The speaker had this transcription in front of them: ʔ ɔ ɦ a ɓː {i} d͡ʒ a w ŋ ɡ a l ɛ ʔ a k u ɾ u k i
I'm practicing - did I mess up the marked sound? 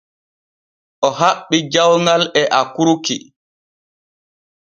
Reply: no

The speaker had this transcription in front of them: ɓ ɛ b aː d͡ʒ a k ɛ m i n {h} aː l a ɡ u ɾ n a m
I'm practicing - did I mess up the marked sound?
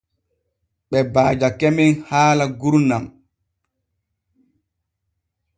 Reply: no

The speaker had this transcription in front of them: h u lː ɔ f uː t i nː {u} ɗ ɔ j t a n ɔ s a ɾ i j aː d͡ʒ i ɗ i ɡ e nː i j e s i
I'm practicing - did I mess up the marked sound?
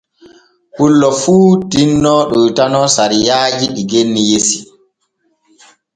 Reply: yes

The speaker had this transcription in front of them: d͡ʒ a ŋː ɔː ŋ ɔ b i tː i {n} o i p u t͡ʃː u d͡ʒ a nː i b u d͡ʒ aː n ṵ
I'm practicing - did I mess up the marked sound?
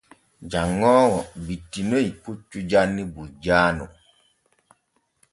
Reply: no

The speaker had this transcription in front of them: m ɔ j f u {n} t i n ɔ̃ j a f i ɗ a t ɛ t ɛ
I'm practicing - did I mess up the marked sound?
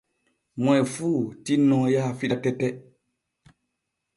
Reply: yes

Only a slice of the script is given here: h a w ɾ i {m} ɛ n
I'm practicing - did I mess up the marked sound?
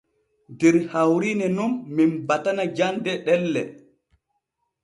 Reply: yes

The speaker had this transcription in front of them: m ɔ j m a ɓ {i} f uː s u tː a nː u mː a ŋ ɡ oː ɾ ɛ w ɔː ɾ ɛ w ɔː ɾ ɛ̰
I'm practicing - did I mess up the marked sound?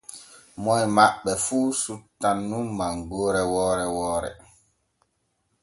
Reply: yes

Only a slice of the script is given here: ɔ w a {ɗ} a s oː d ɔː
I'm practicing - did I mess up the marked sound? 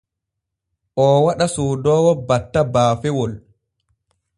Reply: no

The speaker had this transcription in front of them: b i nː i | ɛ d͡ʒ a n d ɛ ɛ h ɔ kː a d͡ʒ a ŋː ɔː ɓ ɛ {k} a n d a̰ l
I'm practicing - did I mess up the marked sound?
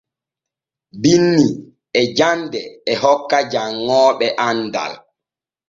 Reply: yes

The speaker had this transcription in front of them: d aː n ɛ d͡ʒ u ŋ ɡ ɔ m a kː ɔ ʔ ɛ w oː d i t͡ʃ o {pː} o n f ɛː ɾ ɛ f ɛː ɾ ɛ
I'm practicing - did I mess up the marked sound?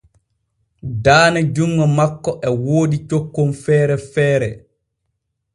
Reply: yes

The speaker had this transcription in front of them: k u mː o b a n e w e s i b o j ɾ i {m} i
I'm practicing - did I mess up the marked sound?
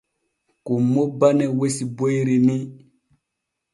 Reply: yes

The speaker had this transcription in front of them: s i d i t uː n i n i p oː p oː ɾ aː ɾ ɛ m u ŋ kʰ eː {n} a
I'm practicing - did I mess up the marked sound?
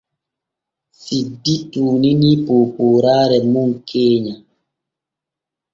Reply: yes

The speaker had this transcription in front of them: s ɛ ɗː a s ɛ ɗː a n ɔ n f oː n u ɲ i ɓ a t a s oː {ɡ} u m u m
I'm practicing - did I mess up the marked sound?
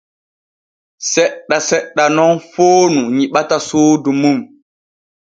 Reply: yes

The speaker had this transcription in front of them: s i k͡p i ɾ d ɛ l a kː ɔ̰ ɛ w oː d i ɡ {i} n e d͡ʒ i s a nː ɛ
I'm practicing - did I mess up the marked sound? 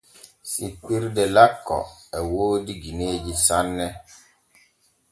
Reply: no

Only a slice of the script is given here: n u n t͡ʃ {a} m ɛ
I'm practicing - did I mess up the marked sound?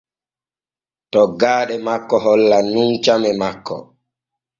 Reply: no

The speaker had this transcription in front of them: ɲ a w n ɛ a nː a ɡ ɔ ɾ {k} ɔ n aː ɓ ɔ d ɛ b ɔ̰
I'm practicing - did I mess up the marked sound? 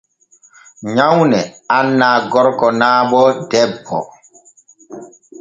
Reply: no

